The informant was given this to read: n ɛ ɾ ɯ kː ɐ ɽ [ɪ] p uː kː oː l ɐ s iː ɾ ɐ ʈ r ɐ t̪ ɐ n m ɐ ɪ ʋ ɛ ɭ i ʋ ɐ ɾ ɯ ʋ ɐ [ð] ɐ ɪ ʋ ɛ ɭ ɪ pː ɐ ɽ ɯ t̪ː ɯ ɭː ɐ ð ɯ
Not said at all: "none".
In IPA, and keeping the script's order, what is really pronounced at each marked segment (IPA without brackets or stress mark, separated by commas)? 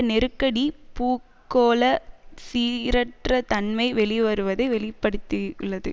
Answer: i, ð